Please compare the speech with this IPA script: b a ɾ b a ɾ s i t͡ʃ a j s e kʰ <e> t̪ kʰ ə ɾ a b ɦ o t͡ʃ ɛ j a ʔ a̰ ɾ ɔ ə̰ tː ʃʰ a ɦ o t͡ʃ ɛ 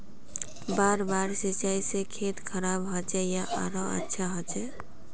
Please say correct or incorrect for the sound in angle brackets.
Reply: correct